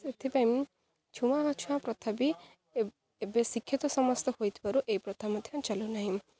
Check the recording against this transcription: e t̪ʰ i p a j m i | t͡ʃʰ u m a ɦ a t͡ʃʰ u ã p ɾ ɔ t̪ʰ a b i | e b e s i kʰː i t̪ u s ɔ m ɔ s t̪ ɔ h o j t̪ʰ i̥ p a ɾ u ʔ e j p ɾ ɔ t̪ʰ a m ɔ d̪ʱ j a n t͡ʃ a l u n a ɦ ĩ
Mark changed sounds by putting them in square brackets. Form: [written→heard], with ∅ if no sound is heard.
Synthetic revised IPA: e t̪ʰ i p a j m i | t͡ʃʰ u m a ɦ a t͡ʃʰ u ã p ɾ ɔ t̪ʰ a b i | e b e s i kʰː i t̪ [u→ɔ] s ɔ m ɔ s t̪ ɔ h o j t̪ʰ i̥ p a ɾ u ʔ e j p ɾ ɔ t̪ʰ a m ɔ d̪ʱ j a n t͡ʃ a l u n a ɦ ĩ

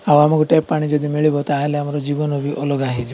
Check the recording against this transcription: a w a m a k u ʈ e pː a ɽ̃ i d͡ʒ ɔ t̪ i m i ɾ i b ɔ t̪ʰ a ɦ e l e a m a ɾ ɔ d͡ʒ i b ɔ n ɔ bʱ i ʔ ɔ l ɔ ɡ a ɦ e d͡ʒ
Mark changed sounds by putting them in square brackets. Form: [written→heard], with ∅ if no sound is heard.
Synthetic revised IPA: a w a m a k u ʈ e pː a ɽ̃ i d͡ʒ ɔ [t̪→d̪] i m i [ɾ→ɭ] i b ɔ [t̪ʰ→t̪] a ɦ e l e a m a ɾ ɔ d͡ʒ i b ɔ n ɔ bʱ i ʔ ɔ l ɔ ɡ a ɦ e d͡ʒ

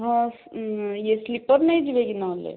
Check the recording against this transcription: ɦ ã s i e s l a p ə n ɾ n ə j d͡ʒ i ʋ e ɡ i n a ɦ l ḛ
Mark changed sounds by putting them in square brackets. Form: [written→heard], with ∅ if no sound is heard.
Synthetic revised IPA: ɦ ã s [i→j] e s l [a→i] p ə [n→∅] ɾ n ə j d͡ʒ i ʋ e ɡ i n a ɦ l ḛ

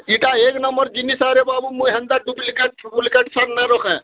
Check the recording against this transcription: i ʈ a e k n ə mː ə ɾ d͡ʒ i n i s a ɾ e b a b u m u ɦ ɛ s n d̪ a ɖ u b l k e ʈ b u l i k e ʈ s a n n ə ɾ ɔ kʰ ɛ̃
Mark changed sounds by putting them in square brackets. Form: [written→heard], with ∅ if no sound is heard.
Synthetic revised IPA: i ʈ a e k n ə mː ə ɾ d͡ʒ i n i s a ɾ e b a b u m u ɦ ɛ [s→∅] n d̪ a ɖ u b l k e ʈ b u l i k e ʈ s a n n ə ɾ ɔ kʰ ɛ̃

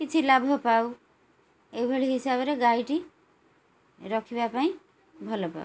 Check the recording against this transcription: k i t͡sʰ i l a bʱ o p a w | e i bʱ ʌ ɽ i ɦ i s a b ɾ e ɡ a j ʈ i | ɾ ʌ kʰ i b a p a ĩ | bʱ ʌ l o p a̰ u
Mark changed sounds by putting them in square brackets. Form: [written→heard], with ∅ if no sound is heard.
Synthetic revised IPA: k i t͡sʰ i l a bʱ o p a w | e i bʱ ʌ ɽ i ɦ i s a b ɾ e ɡ a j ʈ i | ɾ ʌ kʰ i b a p a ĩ | bʱ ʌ l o p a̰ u

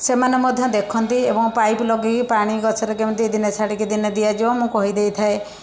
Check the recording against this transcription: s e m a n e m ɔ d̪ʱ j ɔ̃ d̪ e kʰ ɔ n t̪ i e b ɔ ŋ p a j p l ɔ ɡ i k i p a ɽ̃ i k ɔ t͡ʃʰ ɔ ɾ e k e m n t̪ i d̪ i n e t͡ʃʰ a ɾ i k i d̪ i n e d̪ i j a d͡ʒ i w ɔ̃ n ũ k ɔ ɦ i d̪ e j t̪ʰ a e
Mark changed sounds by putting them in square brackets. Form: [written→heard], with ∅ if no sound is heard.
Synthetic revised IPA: s e m a n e m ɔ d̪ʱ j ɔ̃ d̪ e kʰ ɔ n t̪ i e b ɔ ŋ p a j p l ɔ ɡ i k i p a ɽ̃ i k ɔ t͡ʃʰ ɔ ɾ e k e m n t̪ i d̪ i n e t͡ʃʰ a [ɾ→ɽ] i k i d̪ i n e d̪ i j a d͡ʒ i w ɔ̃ [n→m] ũ k ɔ ɦ i d̪ e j t̪ʰ a e

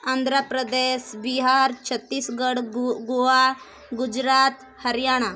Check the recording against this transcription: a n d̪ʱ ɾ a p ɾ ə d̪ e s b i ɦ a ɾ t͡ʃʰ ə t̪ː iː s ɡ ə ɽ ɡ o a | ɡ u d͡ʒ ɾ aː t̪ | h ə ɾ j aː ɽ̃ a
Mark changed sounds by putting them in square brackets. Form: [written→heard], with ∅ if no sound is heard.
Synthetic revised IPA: a n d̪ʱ ɾ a p ɾ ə d̪ e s b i ɦ a ɾ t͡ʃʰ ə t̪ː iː s ɡ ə ɽ ɡ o a | ɡ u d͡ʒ ɾ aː t̪ | h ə ɾ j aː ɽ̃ a

